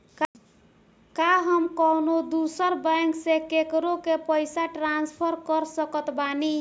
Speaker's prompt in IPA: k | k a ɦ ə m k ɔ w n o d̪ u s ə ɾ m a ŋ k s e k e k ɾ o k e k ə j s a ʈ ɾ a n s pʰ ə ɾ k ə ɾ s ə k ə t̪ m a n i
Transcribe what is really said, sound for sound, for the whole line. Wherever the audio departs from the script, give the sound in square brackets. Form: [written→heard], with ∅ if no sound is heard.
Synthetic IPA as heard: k | k a ɦ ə m k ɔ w n o d̪ u s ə ɾ [m→b] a ŋ k s e k e k ɾ o k e [k→p] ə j s a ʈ ɾ a n s pʰ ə ɾ k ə ɾ s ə k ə t̪ [m→b] a n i